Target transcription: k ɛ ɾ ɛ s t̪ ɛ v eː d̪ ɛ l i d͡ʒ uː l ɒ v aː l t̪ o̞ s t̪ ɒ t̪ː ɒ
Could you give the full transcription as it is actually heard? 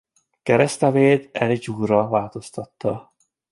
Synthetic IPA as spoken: k ɛ ɾ ɛ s t̪ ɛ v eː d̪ ɛ l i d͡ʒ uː r ɒ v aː l t̪ o̞ s t̪ ɒ t̪ː ɒ